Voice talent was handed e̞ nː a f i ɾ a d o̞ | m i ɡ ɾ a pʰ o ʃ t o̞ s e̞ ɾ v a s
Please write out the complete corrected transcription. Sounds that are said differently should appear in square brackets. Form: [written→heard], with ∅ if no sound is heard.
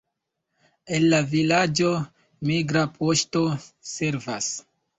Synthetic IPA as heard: e̞ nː a [f→v] i [ɾ→l] a [d→d͡ʒ] o̞ | m i ɡ ɾ a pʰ o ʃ t o̞ s e̞ ɾ v a s